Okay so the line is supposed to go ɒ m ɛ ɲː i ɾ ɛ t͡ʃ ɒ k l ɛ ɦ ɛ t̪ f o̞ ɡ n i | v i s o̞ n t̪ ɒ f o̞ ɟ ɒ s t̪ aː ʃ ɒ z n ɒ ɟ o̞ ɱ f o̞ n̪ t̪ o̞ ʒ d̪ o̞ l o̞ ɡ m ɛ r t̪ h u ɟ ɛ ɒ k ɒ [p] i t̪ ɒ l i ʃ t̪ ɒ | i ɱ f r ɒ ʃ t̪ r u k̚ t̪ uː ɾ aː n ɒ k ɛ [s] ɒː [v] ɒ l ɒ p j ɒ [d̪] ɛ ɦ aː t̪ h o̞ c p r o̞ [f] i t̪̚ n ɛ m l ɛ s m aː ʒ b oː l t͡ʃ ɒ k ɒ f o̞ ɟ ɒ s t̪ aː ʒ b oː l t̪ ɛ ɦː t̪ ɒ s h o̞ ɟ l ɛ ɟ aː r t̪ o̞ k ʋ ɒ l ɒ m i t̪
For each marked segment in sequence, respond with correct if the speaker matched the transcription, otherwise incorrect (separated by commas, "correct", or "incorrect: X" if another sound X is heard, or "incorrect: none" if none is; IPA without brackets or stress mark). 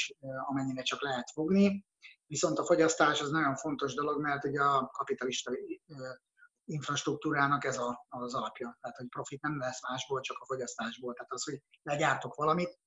correct, incorrect: z, incorrect: z, incorrect: t̪, correct